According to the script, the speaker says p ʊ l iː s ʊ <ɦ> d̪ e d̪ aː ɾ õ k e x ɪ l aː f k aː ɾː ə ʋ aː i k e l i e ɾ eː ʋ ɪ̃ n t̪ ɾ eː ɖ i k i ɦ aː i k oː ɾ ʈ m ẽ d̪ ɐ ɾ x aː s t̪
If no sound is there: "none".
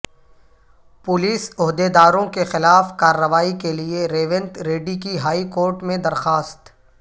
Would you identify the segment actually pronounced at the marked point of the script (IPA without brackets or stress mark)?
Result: ɦ